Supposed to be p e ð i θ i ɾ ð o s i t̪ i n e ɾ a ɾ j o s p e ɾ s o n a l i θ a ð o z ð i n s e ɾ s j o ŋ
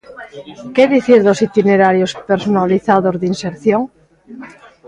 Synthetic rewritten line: k e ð i θ i ɾ ð o s i t̪ i n e ɾ a ɾ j o s p e ɾ s o n a l i θ a ð o z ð i n s e ɾ θ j o ŋ